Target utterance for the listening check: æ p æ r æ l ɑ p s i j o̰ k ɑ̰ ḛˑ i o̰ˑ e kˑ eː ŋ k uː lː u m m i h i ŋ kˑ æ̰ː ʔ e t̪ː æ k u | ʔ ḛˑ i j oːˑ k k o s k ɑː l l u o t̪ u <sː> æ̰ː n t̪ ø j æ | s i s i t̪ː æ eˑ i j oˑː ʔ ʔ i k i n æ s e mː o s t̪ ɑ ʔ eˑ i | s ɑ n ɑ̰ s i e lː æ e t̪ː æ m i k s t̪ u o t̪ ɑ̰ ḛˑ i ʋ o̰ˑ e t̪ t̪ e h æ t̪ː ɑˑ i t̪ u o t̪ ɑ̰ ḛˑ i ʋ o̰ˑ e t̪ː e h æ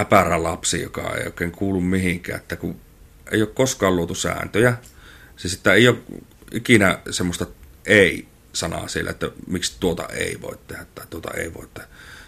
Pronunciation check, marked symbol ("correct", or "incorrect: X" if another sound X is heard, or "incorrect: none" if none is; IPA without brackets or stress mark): incorrect: s